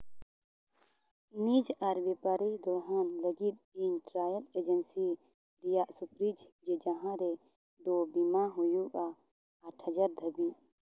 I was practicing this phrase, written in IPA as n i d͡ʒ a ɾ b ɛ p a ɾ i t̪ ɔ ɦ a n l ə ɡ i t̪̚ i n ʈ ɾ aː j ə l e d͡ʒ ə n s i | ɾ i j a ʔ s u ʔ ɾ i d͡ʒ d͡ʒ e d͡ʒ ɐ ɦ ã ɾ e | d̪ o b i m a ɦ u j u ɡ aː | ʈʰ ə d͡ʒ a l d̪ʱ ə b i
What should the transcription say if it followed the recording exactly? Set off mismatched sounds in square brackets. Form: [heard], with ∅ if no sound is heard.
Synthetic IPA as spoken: n i d͡ʒ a ɾ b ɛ p a ɾ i [d̪] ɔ ɦ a n l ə ɡ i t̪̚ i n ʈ ɾ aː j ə l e d͡ʒ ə n s i | ɾ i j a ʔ s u [p] ɾ i d͡ʒ d͡ʒ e d͡ʒ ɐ ɦ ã ɾ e | d̪ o b i m a ɦ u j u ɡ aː | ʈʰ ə d͡ʒ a [ɾ] d̪ʱ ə b i